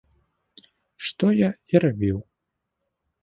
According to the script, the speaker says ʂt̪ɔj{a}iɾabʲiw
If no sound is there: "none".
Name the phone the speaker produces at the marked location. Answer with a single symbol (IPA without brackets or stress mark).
a